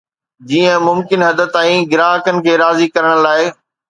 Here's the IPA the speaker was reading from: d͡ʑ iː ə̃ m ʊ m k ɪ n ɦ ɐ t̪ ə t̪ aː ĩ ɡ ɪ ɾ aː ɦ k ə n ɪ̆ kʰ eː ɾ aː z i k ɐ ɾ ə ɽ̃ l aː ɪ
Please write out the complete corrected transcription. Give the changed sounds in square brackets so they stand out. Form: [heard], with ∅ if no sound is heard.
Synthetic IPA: d͡ʑ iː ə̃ m ʊ m k ɪ n ɦ ɐ [d̪] ə t̪ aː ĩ ɡ ɪ ɾ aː ɦ k ə n ɪ̆ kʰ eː ɾ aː z i k ɐ ɾ ə ɽ̃ l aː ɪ